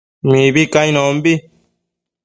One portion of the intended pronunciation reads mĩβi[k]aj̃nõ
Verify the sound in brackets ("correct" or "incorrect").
correct